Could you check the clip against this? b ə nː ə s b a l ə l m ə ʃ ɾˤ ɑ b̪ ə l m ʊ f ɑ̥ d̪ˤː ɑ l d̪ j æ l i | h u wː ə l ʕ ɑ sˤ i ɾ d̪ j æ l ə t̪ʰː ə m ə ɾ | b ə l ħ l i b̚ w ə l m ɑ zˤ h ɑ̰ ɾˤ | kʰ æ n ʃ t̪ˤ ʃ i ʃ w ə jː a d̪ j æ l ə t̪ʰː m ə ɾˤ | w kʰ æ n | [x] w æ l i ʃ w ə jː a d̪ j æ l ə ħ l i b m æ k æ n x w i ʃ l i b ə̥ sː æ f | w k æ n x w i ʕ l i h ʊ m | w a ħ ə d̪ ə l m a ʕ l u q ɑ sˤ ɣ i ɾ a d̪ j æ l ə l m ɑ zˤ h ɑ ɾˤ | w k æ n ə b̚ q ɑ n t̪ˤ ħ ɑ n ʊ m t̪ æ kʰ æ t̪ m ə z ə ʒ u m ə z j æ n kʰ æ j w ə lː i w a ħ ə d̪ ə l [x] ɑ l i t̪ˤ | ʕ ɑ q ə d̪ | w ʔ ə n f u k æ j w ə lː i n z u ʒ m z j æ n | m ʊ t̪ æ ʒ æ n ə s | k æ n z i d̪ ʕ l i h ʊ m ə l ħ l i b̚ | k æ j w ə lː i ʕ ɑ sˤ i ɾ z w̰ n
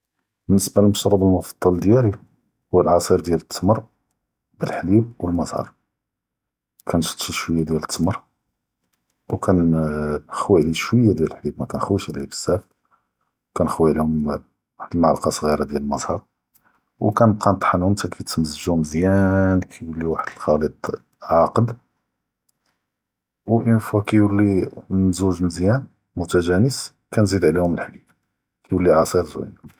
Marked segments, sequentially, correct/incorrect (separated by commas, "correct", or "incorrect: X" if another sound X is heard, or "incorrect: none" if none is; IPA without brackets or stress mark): correct, correct